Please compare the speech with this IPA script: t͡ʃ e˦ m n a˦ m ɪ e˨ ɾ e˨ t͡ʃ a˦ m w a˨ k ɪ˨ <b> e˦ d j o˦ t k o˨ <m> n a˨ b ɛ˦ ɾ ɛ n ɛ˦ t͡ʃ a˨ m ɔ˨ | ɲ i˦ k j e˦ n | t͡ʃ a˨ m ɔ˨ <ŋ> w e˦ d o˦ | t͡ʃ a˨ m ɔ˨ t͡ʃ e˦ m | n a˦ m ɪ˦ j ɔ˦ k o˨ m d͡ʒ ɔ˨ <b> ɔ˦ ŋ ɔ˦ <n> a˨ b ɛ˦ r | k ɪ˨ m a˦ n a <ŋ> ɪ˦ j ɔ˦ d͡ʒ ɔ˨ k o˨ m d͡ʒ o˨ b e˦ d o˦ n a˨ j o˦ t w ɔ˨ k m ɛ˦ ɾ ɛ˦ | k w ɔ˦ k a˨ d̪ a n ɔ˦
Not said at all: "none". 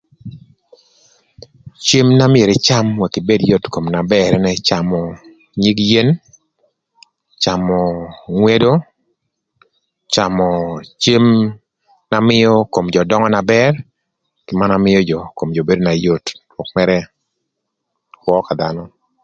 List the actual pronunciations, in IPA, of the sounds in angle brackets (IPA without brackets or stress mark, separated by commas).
b, m, ŋ, d, n, m